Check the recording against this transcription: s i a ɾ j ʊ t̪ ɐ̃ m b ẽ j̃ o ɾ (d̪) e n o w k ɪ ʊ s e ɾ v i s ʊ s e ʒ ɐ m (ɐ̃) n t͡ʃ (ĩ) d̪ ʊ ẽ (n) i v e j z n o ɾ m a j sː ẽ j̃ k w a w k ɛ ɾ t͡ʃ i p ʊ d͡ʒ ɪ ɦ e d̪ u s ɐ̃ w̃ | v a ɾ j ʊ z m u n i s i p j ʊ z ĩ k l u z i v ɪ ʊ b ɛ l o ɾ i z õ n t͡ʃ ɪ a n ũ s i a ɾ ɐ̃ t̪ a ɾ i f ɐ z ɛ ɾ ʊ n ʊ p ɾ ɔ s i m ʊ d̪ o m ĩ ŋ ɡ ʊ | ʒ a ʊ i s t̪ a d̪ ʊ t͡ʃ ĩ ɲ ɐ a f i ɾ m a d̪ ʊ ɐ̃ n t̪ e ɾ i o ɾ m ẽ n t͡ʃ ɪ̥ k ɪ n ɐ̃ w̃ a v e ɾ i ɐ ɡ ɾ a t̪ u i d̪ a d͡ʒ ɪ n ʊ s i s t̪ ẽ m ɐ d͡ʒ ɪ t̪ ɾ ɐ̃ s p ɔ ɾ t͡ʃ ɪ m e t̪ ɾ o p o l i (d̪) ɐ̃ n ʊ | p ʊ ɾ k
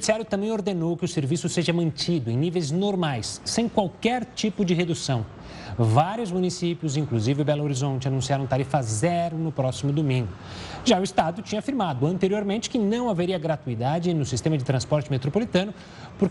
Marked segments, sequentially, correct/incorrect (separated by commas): correct, correct, incorrect, correct, incorrect